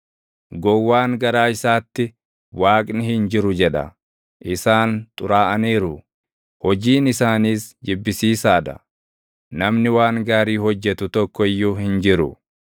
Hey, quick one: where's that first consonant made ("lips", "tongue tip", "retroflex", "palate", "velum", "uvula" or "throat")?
velum